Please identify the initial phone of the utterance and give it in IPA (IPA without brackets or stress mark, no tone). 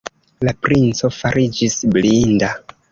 l